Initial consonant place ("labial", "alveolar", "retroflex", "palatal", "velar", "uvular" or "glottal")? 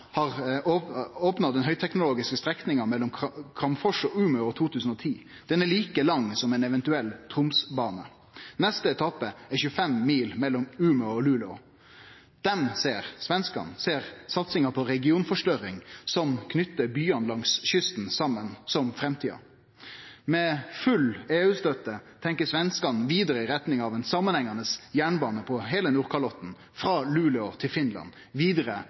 glottal